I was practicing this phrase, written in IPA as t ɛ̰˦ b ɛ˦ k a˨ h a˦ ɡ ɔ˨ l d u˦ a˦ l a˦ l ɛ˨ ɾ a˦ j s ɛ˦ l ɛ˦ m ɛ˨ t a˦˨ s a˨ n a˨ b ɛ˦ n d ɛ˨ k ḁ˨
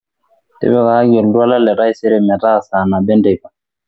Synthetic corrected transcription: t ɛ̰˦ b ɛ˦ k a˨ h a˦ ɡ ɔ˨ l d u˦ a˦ l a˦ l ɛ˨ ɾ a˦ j s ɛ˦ ɾ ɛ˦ m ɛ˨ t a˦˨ s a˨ n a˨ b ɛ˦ n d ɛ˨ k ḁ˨